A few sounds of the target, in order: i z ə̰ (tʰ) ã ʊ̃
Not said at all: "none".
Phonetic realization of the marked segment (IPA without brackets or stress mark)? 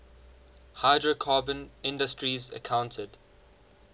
kʰ